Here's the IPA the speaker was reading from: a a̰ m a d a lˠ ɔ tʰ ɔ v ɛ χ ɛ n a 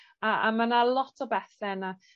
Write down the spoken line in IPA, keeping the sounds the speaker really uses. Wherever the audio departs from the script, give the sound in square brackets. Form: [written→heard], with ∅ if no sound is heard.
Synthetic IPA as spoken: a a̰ m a [d→n] a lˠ ɔ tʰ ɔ [v→b] ɛ [χ→θ] ɛ n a